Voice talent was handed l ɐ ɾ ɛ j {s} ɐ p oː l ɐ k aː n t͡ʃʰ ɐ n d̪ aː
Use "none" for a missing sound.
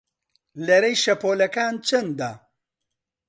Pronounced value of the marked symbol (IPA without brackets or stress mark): ʃ